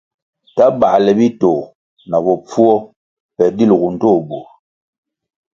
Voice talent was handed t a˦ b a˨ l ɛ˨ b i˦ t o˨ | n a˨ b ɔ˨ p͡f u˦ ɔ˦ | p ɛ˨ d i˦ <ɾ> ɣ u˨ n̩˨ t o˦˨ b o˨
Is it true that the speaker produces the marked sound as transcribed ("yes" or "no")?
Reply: no